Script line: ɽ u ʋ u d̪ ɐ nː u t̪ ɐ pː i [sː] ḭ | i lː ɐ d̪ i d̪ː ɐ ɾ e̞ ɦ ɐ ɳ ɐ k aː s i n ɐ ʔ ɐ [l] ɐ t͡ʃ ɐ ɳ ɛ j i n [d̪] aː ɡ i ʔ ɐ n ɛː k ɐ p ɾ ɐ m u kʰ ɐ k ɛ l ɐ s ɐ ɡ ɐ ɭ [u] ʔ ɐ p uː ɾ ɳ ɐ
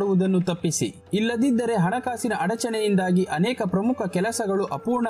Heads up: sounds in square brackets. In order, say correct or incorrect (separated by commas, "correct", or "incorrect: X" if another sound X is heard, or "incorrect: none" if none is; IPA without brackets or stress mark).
incorrect: s, incorrect: ɽ, correct, correct